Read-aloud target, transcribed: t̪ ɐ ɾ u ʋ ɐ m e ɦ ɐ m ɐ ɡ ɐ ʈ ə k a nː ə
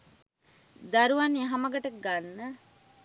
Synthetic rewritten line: d̪ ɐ ɾ u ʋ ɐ n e ɦ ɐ m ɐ ɡ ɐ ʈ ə ɡ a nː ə